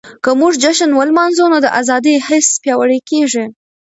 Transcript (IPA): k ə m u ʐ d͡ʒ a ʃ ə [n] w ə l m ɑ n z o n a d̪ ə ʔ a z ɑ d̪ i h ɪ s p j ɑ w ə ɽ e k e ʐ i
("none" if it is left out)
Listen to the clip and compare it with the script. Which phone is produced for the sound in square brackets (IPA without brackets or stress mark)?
n